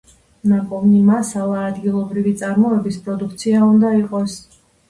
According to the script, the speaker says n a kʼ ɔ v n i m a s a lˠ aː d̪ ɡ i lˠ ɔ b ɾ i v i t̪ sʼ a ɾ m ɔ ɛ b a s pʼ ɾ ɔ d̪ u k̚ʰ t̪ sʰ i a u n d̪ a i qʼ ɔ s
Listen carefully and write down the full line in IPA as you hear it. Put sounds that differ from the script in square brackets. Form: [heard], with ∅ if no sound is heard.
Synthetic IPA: n a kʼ ɔ v n i m a s a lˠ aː d̪ ɡ i lˠ ɔ b ɾ i v i t̪ sʼ a ɾ m ɔ ɛ b [i] s pʼ ɾ ɔ d̪ u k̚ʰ t̪ sʰ i a u n d̪ a i qʼ ɔ s